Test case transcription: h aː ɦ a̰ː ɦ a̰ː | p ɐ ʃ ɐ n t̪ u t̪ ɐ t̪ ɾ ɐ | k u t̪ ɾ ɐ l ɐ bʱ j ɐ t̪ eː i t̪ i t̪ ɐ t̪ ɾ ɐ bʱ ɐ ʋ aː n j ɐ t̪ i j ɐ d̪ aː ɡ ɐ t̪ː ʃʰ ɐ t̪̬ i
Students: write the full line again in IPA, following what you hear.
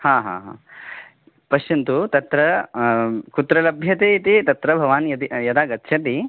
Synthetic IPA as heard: h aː ɦ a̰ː ɦ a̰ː | p ɐ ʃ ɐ n t̪ u t̪ ɐ t̪ ɾ ɐ | k u t̪ ɾ ɐ l ɐ bʱ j ɐ t̪ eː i t̪ i t̪ ɐ t̪ ɾ ɐ bʱ ɐ ʋ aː n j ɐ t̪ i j ɐ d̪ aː ɡ ɐ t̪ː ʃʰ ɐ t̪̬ i

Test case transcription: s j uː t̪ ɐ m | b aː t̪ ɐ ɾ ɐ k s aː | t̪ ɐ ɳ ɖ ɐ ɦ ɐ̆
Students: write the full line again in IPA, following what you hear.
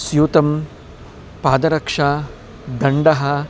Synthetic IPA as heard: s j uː t̪ ɐ m | p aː d̪ ɐ ɾ ɐ k ʂ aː | d̪ ɐ ɳ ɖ ɐ ɦ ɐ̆

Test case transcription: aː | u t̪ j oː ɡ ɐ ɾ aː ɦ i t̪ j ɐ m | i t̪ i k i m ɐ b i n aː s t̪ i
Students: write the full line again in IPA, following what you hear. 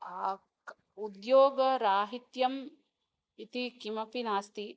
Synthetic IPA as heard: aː | u d̪ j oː ɡ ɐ ɾ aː ɦ i t̪ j ɐ m | i t̪ i k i m ɐ p i n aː s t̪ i

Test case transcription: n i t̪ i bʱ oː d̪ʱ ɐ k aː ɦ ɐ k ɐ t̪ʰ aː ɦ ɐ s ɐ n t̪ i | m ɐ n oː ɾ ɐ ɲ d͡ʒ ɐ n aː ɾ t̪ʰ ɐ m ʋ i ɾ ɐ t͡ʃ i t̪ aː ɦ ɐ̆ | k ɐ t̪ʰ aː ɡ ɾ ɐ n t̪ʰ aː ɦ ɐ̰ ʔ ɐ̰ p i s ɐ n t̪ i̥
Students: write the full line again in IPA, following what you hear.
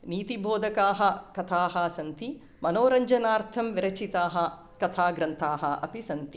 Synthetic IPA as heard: n iː t̪ i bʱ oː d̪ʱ ɐ k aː ɦ ɐ k ɐ t̪ʰ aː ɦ ɐ s ɐ n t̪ i | m ɐ n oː ɾ ɐ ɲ d͡ʒ ɐ n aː ɾ t̪ʰ ɐ m ʋ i ɾ ɐ t͡ʃ i t̪ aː ɦ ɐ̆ | k ɐ t̪ʰ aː ɡ ɾ ɐ n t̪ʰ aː ɦ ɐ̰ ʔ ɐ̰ p i s ɐ n t̪ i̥

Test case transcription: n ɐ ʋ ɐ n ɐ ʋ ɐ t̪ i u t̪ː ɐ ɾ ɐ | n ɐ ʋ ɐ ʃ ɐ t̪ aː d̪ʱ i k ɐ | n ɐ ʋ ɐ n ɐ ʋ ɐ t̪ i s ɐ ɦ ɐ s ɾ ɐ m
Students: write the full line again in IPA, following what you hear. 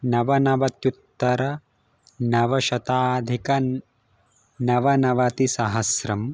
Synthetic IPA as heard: n ɐ ʋ ɐ n ɐ ʋ ɐ t̪ j u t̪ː ɐ ɾ ɐ | n ɐ ʋ ɐ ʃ ɐ t̪ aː d̪ʱ i k ɐ | n ɐ ʋ ɐ n ɐ ʋ ɐ t̪ i s ɐ ɦ ɐ s ɾ ɐ m

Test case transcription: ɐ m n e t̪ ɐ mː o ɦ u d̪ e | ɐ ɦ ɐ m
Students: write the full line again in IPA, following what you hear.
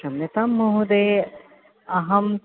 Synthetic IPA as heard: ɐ m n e t̪ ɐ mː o ɦ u d̪ e | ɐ ɦ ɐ m

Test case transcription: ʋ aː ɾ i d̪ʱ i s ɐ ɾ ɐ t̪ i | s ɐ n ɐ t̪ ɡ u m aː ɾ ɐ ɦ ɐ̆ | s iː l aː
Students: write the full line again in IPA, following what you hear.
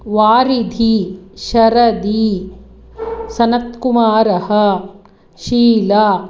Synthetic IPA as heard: ʋ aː ɾ i d̪ʱ i ʃ ɐ ɾ ɐ d̪ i | s ɐ n ɐ t̪ k u m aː ɾ ɐ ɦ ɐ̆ | ʃ iː l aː

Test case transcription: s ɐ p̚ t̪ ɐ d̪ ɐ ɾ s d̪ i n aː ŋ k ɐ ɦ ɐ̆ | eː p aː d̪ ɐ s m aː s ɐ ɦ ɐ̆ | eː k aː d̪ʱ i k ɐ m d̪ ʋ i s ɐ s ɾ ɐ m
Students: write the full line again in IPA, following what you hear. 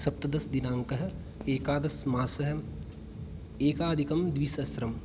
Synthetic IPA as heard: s ɐ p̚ t̪ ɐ d̪ ɐ s d̪ i n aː ŋ k ɐ ɦ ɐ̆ | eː k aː d̪ ɐ s m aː s ɐ ɦ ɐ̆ | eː k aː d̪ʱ i k ɐ m d̪ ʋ i s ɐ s ɾ ɐ m

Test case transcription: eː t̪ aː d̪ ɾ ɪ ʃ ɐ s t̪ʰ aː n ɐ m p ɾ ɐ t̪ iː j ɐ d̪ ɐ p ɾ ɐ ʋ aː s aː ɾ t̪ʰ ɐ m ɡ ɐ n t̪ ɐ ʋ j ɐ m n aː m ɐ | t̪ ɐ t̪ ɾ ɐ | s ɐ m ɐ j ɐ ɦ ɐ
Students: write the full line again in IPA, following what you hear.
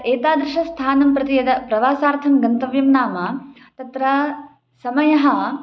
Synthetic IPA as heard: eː t̪ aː d̪ ɾ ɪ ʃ ɐ s t̪ʰ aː n ɐ m p ɾ ɐ t̪ i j ɐ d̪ ɐ p ɾ ɐ ʋ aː s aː ɾ t̪ʰ ɐ m ɡ ɐ n t̪ ɐ ʋ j ɐ m n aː m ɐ | t̪ ɐ t̪ ɾ ɐ | s ɐ m ɐ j ɐ ɦ ɐ

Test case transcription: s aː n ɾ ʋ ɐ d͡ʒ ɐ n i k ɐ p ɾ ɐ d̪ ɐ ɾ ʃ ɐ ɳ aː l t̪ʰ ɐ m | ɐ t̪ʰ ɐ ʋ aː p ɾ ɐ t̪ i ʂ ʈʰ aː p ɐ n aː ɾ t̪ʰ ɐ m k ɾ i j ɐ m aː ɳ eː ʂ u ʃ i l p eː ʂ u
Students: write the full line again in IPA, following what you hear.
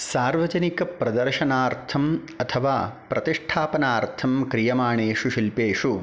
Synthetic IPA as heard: s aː ɾ ʋ ɐ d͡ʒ ɐ n i k ɐ p ɾ ɐ d̪ ɐ ɾ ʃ ɐ n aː ɾ t̪ʰ ɐ m | ɐ t̪ʰ ɐ ʋ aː p ɾ ɐ t̪ i ʂ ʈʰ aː p ɐ n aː ɾ t̪ʰ ɐ m k ɾ i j ɐ m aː ɳ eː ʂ u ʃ i l p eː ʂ u

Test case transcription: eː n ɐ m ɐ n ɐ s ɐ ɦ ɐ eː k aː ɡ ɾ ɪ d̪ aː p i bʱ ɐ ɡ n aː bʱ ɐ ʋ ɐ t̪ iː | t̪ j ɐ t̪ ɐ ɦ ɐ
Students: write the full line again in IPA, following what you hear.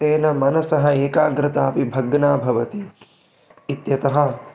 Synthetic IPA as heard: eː n ɐ m ɐ n ɐ s ɐ ɦ ɐ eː k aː ɡ ɾ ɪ t̪ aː p i bʱ ɐ ɡ n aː bʱ ɐ ʋ ɐ t̪ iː | t̪ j ɐ t̪ ɐ ɦ ɐ

